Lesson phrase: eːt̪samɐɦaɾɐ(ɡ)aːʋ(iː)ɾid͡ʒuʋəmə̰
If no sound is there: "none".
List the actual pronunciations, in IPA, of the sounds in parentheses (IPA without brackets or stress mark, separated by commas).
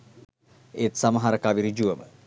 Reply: k, i